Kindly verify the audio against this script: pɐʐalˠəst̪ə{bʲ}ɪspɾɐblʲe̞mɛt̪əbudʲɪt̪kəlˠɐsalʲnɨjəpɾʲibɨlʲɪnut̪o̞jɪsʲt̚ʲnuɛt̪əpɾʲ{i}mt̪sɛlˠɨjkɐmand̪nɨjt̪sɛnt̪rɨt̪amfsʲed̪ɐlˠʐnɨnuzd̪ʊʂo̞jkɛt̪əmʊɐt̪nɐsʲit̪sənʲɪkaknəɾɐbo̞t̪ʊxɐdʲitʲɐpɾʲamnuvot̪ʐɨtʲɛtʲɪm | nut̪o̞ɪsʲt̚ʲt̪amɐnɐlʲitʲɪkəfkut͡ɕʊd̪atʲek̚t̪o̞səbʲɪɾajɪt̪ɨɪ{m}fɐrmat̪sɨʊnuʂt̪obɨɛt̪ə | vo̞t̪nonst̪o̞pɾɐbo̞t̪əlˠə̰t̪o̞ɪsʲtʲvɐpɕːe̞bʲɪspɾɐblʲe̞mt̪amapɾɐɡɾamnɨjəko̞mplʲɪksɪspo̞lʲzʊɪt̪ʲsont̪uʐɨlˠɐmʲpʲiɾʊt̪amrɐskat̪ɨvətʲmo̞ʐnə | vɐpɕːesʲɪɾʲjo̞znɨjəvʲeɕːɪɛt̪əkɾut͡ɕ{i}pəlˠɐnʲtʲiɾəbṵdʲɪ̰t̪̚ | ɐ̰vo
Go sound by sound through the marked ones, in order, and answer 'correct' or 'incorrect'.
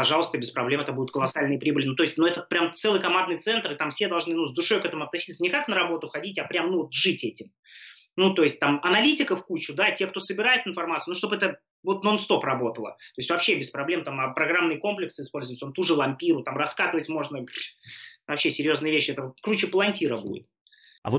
correct, incorrect: a, incorrect: n, incorrect: ɪ

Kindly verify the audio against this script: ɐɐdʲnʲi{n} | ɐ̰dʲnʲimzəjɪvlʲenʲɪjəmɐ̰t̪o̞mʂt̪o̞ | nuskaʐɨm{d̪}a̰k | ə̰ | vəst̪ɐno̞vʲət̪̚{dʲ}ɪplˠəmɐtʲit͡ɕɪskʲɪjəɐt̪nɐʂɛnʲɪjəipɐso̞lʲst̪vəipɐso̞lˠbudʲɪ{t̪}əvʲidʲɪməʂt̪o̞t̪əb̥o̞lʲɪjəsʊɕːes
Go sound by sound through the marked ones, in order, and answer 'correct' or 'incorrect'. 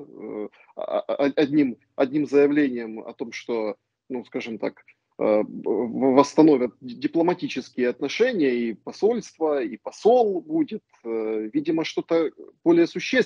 incorrect: m, incorrect: t̪, correct, correct

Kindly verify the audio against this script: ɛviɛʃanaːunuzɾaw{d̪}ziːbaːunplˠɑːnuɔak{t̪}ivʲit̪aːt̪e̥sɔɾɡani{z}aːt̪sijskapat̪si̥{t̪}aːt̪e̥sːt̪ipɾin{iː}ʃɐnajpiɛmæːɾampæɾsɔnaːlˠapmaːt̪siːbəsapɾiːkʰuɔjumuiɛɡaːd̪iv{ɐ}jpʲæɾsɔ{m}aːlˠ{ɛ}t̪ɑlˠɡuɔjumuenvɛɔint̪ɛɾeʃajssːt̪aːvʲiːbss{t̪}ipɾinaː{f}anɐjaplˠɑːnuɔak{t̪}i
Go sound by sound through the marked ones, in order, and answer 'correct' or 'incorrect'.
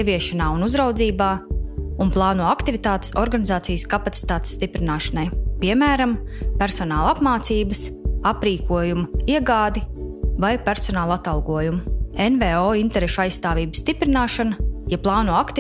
correct, correct, correct, correct, incorrect: aː, incorrect: a, incorrect: n, incorrect: a, correct, incorrect: ʃ, correct

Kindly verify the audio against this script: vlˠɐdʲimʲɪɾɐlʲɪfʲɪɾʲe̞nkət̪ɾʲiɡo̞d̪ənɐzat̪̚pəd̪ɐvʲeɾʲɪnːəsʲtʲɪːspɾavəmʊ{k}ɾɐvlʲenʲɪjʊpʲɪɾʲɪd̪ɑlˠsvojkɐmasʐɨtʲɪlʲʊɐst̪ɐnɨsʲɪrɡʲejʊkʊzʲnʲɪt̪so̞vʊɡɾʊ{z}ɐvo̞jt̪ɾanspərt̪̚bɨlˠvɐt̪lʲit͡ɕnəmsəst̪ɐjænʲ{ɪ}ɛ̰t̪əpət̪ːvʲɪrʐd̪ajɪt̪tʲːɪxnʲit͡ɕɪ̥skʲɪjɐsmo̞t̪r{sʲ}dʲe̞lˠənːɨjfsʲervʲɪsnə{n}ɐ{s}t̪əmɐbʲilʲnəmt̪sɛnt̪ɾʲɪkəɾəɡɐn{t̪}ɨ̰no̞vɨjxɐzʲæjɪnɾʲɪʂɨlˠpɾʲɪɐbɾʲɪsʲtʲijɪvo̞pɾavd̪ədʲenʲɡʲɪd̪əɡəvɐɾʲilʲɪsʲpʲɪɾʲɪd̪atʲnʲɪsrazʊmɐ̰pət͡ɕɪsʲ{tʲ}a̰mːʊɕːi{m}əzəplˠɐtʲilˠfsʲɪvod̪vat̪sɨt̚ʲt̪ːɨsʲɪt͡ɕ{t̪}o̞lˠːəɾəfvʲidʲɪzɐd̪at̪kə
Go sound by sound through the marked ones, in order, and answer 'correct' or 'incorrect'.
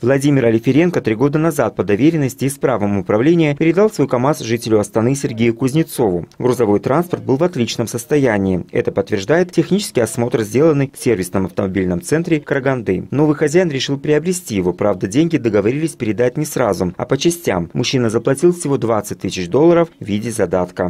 incorrect: p, correct, incorrect: ɪː, incorrect: zʲ, incorrect: m, incorrect: f, incorrect: d̪, correct, incorrect: n, incorrect: d̪

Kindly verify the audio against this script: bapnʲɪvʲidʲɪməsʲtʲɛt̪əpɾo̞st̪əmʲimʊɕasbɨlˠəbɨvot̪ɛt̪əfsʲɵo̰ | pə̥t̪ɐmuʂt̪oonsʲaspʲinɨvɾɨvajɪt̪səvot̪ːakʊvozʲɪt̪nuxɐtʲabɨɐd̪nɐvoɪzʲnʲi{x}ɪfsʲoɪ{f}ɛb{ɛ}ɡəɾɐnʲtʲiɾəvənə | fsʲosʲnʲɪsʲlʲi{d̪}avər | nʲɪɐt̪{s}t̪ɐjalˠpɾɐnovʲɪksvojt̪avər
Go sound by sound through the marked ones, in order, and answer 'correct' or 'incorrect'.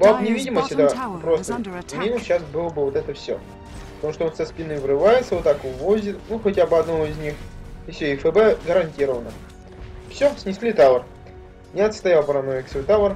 correct, correct, correct, incorrect: t̪, correct

